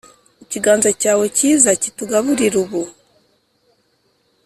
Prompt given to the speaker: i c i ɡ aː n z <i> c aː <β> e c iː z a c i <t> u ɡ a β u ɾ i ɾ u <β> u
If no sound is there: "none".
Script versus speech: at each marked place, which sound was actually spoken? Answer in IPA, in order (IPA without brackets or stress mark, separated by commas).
a, w, t, β